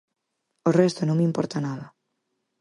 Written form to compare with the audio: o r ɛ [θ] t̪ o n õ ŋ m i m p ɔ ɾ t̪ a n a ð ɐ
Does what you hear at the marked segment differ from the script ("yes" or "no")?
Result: yes